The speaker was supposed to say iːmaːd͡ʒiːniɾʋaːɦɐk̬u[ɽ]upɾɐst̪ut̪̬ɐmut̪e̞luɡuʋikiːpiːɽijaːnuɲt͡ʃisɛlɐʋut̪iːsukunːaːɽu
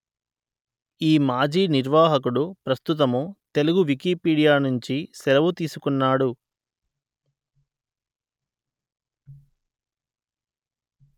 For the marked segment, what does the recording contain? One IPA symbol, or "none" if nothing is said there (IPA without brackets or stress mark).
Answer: ɽ